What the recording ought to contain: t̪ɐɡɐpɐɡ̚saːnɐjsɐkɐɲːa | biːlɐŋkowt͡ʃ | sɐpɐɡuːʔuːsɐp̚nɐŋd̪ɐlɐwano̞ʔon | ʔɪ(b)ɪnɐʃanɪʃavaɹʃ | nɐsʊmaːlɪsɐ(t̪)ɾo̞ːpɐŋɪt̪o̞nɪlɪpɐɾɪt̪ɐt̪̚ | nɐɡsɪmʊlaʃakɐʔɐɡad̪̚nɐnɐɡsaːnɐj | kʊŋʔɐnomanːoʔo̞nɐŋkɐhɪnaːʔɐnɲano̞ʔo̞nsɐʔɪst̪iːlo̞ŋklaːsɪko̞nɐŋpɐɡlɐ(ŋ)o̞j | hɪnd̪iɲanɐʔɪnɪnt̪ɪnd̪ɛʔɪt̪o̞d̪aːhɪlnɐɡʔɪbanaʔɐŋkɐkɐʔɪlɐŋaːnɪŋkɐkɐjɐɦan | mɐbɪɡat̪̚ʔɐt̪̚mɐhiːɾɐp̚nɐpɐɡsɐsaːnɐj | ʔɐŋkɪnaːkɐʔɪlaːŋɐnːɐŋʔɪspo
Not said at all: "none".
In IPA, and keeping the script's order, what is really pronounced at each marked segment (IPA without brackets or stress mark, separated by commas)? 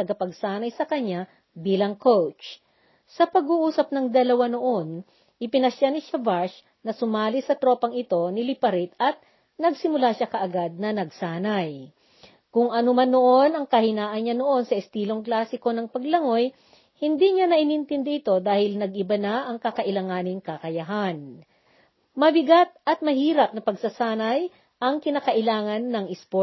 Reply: p, t̪, ŋ